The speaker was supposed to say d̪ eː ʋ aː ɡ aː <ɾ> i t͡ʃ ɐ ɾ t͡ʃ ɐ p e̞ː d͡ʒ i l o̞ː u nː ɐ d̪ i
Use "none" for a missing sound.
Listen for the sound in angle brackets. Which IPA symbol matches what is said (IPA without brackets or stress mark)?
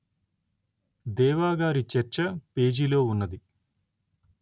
ɾ